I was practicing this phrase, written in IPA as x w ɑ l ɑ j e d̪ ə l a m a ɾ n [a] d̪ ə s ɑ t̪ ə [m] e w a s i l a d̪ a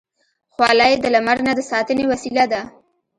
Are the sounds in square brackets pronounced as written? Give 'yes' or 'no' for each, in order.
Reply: yes, no

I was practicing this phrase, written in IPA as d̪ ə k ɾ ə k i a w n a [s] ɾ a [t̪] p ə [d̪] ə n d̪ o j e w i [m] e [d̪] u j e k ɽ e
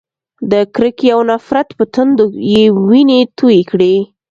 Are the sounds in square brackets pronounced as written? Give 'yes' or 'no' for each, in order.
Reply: no, yes, no, no, no

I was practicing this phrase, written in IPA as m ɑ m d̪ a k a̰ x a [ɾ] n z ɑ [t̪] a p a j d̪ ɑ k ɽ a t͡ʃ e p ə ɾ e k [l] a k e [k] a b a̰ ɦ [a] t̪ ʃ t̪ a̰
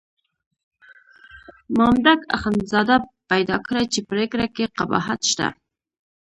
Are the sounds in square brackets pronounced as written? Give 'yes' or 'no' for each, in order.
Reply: no, no, no, no, yes

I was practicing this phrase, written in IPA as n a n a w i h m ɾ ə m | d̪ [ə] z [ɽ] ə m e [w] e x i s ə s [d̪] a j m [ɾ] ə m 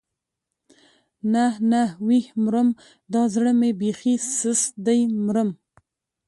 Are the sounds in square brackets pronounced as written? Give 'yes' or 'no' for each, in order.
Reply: no, yes, no, yes, yes

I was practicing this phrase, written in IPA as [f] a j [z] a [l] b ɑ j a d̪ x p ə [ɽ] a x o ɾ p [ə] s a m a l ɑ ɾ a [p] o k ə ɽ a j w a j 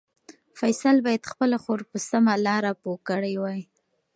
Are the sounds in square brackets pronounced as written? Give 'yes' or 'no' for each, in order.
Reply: yes, no, yes, no, yes, yes

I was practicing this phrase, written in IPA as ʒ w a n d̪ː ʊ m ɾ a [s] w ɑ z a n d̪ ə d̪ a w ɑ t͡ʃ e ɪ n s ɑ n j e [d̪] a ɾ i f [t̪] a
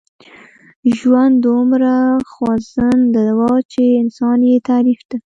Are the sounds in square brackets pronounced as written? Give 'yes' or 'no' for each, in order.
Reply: no, no, no

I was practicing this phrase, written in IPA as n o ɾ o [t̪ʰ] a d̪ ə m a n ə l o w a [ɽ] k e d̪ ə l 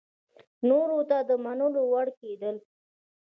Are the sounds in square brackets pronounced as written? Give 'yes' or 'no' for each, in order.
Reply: no, yes

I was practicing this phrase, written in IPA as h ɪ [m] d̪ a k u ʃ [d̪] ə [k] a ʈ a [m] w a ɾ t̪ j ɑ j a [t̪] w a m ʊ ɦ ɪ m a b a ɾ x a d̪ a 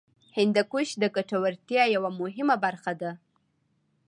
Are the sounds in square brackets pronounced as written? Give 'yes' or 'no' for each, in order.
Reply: no, yes, yes, no, no

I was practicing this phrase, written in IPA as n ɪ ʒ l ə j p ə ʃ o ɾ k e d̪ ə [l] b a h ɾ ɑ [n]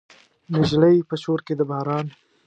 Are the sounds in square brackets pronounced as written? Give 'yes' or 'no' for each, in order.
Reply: no, yes

